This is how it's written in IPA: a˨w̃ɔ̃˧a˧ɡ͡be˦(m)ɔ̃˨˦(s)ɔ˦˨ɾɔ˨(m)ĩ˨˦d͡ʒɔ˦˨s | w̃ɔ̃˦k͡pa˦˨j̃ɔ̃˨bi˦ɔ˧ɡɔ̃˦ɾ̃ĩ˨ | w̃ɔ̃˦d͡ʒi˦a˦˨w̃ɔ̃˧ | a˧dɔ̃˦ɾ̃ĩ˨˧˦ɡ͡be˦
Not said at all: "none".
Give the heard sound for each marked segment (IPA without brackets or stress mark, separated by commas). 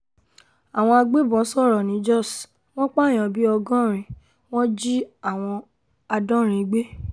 b, s, n